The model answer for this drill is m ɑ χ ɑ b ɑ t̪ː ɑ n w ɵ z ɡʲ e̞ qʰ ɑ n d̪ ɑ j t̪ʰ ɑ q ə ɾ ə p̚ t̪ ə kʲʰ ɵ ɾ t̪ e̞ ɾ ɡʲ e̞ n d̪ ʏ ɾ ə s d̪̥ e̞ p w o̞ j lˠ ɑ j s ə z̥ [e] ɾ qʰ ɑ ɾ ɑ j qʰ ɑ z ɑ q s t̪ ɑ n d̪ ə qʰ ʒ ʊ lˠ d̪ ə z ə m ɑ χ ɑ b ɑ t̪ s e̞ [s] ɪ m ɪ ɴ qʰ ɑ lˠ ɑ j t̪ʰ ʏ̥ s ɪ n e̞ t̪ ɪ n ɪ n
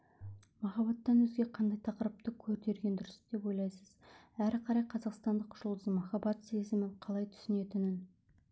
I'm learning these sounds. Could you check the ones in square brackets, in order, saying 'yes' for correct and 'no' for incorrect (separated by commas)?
no, no